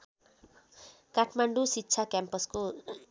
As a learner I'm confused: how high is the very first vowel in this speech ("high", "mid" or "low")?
low